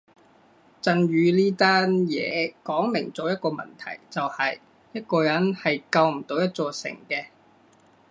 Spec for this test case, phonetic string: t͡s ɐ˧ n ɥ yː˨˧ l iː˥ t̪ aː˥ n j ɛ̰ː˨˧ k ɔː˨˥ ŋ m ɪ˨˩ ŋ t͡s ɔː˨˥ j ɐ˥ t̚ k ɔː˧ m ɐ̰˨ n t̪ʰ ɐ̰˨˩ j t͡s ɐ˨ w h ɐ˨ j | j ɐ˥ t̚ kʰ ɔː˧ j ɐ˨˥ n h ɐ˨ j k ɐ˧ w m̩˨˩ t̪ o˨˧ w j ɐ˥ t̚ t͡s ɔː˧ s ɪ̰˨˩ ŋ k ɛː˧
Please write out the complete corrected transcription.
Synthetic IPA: t͡s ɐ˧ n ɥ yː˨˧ l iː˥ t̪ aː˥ n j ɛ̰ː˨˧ k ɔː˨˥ ŋ m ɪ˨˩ ŋ t͡s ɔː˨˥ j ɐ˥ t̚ k ɔː˧ m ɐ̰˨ n t̪ʰ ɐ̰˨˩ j t͡s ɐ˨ w h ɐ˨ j | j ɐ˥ t̚ k ɔː˧ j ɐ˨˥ n h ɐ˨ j k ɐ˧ w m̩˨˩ t̪ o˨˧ w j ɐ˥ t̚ t͡s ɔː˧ s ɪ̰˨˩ ŋ k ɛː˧